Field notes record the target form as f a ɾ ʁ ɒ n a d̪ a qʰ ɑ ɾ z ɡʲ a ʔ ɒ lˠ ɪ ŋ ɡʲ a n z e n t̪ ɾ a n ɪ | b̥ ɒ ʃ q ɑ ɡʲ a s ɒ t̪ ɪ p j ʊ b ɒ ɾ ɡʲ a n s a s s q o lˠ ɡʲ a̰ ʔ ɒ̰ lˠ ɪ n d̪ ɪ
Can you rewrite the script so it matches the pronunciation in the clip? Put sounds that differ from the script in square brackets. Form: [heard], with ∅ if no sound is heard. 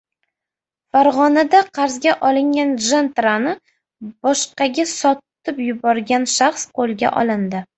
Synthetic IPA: f a ɾ ʁ ɒ n a d̪ a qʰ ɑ ɾ z ɡʲ a ʔ ɒ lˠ ɪ ŋ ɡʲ a n [ʒ] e n t̪ ɾ a n ɪ | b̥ ɒ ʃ q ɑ ɡʲ a s ɒ t̪ ɪ p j ʊ b ɒ ɾ ɡʲ a n [ʃ] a [χ] s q o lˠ ɡʲ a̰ ʔ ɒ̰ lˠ ɪ n d̪ ɪ